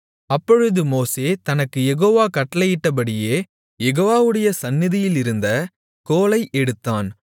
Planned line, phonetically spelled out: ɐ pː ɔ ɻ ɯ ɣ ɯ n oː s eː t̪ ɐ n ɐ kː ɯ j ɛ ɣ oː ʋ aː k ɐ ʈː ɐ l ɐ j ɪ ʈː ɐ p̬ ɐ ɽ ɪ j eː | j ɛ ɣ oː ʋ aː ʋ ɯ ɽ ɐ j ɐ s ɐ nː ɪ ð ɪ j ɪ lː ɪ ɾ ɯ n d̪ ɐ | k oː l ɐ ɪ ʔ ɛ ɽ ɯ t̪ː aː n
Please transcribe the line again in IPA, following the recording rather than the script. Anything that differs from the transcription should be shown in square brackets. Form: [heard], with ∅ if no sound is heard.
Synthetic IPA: ɐ pː ɔ ɻ ɯ [ð] ɯ [m] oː s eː t̪ ɐ n ɐ kː ɯ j ɛ ɣ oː ʋ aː k ɐ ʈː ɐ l ɐ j ɪ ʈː ɐ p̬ ɐ ɽ ɪ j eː | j ɛ ɣ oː ʋ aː ʋ ɯ ɽ ɐ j ɐ s ɐ nː ɪ ð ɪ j ɪ [l] ɪ ɾ ɯ n d̪ ɐ | k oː l ɐ ɪ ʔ ɛ ɽ ɯ t̪ː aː n